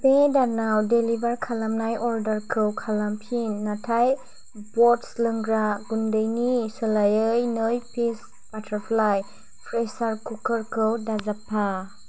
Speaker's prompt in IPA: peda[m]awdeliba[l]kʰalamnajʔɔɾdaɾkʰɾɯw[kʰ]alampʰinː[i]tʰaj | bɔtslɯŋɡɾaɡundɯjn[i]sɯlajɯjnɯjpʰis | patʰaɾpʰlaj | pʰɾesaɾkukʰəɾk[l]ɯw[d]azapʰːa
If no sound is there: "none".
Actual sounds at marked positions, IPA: n, ɾ, kʰ, a, i, ɾ, d

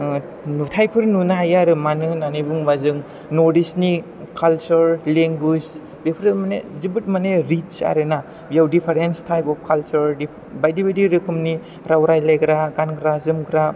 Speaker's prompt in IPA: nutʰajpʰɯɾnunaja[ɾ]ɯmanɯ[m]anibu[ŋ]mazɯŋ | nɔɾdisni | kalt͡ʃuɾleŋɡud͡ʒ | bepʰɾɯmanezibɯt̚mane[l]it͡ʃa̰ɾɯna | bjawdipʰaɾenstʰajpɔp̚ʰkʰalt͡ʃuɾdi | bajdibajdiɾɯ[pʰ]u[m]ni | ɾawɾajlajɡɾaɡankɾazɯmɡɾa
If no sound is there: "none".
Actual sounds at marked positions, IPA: ɾ, n, ŋ, ɾ, kʰ, m

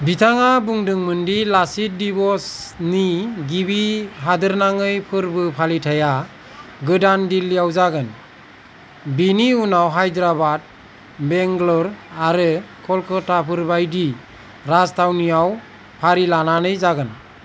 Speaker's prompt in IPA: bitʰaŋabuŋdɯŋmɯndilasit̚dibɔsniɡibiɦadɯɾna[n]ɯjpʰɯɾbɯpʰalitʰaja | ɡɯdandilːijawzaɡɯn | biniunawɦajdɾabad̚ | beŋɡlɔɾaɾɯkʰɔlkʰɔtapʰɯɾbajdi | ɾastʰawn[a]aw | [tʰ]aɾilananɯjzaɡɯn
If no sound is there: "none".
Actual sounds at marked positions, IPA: ŋ, i, pʰ

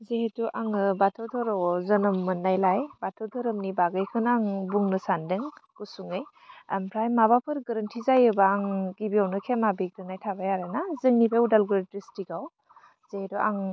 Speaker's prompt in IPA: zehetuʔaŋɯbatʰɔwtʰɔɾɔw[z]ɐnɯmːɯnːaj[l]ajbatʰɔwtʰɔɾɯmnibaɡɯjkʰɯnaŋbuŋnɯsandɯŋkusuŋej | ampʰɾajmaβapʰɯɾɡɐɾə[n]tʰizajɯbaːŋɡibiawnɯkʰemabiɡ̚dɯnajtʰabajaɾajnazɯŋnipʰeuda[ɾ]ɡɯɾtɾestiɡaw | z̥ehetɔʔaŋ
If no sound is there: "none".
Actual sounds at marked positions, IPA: z, l, n, l

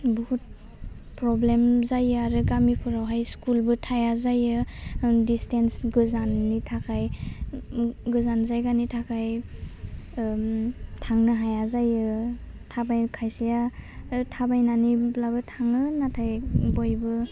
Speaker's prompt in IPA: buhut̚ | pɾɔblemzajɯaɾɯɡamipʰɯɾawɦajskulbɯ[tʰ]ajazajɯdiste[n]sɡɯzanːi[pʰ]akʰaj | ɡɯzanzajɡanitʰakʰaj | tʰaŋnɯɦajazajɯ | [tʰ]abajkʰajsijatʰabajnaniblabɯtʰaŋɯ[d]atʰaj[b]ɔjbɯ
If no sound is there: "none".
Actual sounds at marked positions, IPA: tʰ, n, tʰ, tʰ, n, b

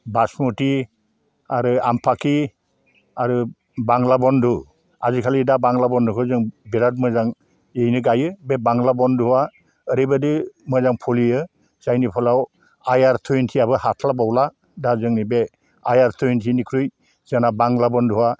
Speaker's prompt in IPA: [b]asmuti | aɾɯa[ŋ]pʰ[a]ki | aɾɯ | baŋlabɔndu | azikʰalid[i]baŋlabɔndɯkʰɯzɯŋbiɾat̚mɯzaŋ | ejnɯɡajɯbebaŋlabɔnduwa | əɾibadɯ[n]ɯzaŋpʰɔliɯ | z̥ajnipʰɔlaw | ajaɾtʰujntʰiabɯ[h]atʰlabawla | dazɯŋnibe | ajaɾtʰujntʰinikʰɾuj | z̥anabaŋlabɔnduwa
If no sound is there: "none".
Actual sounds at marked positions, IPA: b, m, a, a, m, h

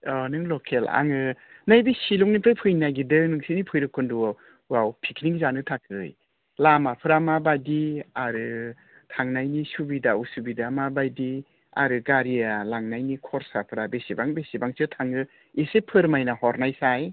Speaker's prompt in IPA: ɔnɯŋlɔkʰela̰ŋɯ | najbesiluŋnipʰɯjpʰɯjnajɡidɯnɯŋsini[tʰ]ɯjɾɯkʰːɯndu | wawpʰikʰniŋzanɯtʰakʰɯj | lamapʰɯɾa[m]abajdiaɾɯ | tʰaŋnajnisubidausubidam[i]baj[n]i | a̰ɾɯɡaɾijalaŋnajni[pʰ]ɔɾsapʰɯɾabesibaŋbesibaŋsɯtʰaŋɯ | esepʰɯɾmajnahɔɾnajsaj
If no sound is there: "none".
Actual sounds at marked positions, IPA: pʰ, m, a, d, kʰ

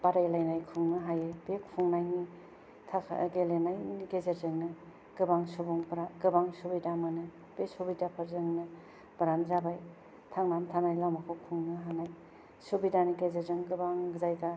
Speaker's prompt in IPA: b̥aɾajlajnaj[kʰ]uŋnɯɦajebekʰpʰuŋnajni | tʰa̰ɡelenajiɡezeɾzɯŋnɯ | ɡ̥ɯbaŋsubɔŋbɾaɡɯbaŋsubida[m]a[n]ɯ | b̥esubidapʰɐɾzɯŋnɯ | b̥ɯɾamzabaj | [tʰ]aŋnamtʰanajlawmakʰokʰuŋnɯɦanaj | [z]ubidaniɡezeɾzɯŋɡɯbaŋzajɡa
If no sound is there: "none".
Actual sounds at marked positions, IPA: kʰ, m, n, tʰ, s

